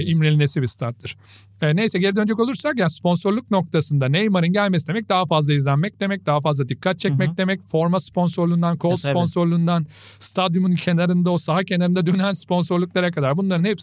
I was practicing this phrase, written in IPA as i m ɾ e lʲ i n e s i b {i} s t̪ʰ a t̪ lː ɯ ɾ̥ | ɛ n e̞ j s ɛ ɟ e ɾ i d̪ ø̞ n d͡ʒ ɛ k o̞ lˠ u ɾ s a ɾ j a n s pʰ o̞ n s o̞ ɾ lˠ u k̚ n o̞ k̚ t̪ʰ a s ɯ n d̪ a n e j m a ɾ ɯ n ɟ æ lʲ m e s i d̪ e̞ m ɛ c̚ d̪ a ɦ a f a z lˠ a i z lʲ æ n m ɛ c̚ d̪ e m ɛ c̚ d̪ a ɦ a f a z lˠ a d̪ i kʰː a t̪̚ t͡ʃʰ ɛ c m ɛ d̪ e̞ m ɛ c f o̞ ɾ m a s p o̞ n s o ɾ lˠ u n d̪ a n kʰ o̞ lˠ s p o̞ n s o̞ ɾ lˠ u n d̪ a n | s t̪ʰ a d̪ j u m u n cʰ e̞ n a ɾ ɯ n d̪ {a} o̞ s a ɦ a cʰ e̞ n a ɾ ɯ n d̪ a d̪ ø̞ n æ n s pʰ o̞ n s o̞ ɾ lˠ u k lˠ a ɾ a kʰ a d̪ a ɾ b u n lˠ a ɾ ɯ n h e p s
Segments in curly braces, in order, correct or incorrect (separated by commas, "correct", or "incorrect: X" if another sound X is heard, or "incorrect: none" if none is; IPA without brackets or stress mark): correct, correct